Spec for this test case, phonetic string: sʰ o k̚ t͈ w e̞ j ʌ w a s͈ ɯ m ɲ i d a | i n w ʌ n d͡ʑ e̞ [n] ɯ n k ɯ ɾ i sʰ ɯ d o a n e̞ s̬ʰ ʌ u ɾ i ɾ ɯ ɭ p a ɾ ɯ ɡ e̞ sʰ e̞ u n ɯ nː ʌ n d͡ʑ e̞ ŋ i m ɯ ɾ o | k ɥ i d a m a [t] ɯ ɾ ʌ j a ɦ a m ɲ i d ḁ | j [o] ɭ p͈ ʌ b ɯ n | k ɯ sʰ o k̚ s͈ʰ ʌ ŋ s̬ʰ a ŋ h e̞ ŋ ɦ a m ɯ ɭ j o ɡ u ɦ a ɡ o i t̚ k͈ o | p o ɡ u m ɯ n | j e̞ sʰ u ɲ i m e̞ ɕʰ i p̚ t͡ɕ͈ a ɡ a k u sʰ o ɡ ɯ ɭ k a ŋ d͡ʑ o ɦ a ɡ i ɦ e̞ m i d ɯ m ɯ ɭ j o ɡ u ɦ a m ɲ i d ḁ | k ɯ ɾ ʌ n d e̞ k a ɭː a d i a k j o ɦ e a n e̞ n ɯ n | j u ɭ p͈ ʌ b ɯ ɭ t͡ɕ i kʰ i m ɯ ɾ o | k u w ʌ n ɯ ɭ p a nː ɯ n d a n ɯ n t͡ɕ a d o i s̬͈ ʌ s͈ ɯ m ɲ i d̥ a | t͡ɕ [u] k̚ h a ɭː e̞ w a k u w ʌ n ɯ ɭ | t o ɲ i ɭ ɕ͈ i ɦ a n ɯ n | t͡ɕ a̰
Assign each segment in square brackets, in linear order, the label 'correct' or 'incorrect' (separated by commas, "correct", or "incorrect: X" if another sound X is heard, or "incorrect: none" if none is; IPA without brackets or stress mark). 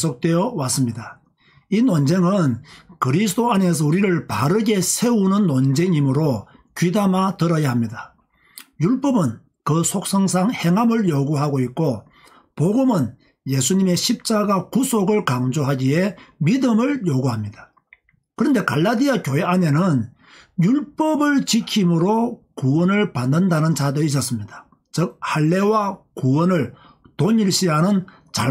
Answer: incorrect: ŋ, correct, incorrect: u, incorrect: ɯ